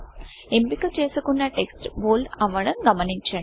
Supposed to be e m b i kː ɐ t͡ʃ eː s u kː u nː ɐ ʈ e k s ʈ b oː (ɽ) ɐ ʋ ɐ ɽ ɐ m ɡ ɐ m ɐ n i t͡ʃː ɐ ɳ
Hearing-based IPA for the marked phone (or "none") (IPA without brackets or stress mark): l